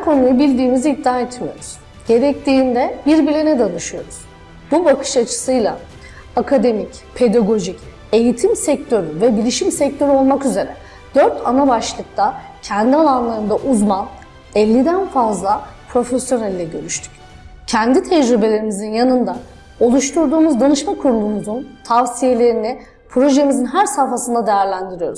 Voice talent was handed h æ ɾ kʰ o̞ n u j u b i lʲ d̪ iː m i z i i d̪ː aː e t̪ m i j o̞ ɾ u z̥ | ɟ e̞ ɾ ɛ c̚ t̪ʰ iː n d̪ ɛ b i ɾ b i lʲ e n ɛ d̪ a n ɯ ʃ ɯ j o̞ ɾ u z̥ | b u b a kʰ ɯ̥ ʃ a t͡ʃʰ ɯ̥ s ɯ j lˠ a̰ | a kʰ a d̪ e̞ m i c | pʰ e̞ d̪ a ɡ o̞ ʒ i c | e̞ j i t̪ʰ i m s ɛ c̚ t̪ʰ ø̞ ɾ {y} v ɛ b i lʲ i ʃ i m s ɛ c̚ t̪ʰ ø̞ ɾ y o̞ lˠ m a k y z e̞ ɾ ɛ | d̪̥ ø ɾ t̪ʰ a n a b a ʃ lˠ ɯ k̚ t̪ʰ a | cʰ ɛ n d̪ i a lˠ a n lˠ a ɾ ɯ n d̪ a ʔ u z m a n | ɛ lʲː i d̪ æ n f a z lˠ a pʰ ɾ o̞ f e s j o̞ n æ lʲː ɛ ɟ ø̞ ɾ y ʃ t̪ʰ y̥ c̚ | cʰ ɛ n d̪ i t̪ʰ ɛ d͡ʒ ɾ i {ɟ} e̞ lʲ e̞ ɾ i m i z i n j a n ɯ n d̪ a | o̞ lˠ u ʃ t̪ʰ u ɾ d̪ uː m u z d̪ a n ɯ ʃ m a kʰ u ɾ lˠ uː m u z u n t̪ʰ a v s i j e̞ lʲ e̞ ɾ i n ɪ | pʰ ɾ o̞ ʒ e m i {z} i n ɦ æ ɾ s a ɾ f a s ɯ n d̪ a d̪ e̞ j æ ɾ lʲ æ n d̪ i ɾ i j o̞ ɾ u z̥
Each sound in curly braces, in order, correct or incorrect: correct, incorrect, correct

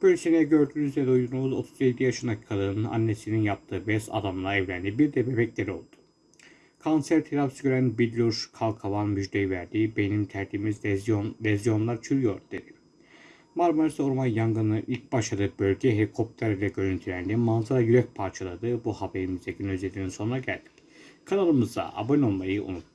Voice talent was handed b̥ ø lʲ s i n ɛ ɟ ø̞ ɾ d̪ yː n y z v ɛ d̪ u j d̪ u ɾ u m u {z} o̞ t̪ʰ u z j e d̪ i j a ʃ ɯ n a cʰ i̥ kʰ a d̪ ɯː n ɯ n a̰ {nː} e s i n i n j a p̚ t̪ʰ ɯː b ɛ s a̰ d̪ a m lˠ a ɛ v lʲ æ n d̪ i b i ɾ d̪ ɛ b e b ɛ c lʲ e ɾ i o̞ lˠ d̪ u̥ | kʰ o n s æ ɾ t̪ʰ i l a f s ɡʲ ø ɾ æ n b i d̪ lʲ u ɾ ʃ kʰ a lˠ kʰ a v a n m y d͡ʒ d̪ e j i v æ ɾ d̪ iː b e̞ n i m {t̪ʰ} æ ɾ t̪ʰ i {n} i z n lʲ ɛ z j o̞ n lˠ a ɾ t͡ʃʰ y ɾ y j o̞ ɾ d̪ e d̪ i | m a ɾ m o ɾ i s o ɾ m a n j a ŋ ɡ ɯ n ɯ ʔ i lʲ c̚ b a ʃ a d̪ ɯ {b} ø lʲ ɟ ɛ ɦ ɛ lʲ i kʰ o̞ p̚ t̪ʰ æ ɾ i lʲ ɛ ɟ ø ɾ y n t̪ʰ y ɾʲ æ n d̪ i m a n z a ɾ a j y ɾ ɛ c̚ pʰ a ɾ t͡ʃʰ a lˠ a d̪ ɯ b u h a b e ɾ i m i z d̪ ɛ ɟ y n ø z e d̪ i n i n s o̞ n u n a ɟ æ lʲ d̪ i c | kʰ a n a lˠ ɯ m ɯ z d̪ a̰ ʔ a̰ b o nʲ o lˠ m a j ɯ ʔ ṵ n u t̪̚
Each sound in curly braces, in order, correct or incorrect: correct, correct, correct, incorrect, correct

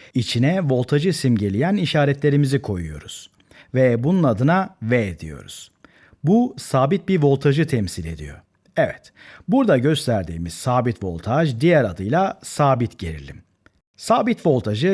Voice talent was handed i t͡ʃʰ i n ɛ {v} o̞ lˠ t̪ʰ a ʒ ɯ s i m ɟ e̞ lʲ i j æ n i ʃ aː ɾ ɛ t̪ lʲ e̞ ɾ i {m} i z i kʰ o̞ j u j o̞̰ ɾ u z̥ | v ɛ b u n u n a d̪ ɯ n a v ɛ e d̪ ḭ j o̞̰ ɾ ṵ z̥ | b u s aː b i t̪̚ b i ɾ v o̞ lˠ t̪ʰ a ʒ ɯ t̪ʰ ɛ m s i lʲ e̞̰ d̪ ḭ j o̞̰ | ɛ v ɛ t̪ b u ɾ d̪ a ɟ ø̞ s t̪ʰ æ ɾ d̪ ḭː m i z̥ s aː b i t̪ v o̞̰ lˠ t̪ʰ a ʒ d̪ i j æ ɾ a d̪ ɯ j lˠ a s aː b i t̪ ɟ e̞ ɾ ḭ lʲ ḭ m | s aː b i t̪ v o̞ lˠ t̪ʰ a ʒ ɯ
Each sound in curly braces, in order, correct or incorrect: correct, correct

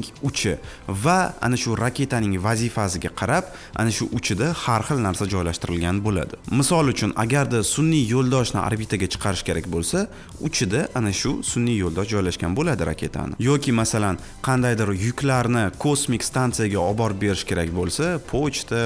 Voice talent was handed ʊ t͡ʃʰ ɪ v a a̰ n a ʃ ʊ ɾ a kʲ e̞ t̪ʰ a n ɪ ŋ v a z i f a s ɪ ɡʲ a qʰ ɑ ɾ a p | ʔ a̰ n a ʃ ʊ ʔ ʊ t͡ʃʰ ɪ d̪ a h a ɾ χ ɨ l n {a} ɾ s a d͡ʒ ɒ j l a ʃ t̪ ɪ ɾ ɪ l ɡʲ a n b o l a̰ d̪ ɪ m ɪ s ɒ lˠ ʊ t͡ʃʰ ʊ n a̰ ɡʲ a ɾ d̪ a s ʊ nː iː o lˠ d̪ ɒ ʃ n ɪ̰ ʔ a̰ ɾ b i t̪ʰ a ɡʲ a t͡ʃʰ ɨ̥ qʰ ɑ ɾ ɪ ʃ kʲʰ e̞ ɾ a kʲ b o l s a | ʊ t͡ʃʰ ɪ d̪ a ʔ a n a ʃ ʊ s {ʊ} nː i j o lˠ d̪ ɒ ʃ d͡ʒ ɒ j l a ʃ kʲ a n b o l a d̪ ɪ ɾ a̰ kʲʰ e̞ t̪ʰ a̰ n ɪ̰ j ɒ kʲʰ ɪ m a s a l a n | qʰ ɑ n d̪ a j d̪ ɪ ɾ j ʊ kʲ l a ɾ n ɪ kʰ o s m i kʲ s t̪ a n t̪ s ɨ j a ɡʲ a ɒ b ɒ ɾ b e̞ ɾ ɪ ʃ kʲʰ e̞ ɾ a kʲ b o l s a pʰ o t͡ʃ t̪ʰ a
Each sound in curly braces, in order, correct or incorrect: correct, correct

